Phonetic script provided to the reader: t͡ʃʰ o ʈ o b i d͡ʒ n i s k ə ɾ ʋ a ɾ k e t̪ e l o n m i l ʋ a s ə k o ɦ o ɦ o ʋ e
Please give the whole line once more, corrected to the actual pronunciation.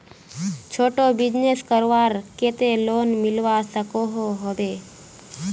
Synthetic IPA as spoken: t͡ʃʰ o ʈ o b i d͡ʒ n e s k ə ɾ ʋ a ɾ k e t̪ e l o n m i l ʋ a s ə k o ɦ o ɦ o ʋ e